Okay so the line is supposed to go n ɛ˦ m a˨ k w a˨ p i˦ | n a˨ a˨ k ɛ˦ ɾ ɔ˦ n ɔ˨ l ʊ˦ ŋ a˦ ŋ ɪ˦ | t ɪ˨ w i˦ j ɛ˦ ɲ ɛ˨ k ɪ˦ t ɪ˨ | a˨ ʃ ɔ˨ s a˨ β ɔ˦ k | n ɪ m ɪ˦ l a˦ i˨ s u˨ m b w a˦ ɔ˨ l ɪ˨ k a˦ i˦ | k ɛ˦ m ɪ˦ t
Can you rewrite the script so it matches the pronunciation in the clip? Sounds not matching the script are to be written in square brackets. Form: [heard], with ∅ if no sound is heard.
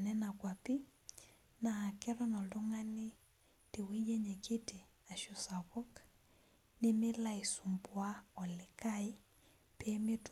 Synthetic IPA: n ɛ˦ [n] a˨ k w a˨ p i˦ | n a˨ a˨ k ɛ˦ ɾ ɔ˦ n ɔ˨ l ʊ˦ ŋ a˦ [n] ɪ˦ | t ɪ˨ w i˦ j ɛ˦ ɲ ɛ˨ k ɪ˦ t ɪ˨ | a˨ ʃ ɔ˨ s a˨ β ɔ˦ k | n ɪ m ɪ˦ l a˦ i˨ s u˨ m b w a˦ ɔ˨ l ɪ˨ k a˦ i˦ | [p] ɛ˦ m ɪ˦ t

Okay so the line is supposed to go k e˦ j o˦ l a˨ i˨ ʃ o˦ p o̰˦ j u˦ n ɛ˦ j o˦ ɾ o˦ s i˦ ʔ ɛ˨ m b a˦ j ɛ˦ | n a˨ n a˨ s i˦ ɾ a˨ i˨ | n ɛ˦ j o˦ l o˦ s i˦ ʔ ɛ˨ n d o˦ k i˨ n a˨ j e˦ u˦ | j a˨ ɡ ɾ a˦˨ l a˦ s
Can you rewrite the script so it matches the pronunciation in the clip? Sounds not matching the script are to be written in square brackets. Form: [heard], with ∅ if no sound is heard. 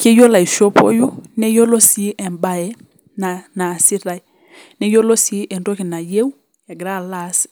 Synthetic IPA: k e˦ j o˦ l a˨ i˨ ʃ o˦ p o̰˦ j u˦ n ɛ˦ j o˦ [l] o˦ s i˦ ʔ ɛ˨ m b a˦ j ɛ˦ | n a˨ n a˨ s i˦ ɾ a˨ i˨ | n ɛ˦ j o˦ l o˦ s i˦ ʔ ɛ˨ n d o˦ k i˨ n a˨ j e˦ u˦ | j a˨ ɡ ɾ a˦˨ l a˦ s

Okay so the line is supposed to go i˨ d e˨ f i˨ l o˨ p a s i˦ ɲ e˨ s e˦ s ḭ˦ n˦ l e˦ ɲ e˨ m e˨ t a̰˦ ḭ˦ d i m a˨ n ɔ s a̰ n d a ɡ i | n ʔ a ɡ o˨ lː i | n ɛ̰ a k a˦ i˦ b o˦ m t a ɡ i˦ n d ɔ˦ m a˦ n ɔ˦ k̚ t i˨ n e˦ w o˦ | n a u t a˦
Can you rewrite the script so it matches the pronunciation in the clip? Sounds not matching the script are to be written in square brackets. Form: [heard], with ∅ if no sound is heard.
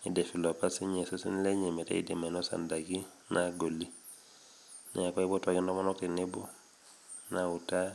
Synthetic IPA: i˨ d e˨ f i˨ l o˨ p a s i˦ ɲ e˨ s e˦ s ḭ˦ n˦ l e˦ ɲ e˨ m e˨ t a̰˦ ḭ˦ d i m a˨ n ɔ s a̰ n d a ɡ i | n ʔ a ɡ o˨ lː i | n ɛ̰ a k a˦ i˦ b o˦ [∅] t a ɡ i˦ n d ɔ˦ m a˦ n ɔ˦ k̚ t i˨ n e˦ [b] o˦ | n a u t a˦

